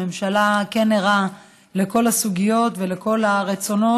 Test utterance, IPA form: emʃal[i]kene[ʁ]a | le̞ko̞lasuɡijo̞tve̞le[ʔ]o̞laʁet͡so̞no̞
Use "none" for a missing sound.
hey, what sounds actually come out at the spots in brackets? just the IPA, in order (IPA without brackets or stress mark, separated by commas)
a, ʁ, k